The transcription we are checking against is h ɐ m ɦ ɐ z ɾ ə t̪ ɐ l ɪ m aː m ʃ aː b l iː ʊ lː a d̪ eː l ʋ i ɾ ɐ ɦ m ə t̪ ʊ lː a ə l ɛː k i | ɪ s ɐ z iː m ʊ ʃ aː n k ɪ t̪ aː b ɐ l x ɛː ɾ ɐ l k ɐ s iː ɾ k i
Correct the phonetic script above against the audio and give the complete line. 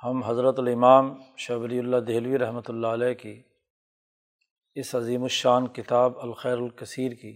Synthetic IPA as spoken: h ɐ m ɦ ɐ z ɾ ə t̪ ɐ l ɪ m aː m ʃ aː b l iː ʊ lː a d̪ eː l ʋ i ɾ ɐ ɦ m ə t̪ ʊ lː a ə l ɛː k i | ɪ s ɐ z iː m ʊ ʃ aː n k ɪ t̪ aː b ɐ l x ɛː ɾ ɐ l k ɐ s iː ɾ k i